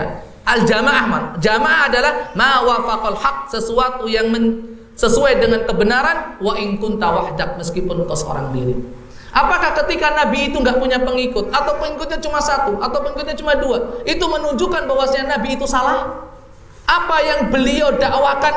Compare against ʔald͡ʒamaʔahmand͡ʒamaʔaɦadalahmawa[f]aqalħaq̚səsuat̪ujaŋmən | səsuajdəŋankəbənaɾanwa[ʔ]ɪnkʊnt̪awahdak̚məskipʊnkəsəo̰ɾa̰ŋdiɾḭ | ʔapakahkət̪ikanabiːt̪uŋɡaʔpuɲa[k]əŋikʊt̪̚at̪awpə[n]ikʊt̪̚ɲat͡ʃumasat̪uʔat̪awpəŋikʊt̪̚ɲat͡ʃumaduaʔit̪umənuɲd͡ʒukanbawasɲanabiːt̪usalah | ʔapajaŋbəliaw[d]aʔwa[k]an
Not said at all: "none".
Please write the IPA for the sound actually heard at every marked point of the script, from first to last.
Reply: f, ʔ, p, ŋ, d, k

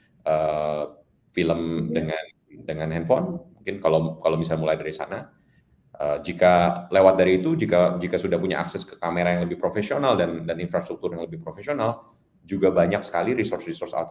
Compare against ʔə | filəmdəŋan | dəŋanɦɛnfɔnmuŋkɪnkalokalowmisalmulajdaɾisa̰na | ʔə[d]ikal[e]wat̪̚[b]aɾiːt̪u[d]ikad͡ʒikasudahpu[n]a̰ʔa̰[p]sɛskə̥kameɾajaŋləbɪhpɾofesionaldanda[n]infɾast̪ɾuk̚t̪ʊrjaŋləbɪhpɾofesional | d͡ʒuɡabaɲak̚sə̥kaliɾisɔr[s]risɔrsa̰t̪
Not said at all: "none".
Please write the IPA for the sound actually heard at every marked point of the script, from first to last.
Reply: d͡ʒ, e, d, d͡ʒ, ɲ, k, n, s

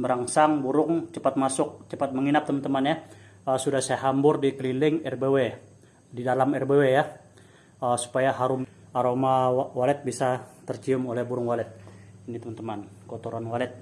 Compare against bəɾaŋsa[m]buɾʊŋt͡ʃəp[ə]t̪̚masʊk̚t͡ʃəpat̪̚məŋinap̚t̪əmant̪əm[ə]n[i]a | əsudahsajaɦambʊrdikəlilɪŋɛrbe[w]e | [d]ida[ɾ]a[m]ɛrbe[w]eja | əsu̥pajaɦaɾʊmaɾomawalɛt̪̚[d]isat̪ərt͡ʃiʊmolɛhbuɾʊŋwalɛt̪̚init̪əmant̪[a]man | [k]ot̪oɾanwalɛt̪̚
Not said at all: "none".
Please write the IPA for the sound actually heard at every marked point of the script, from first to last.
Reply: ŋ, a, a, j, w, d, l, m, w, b, ə, k

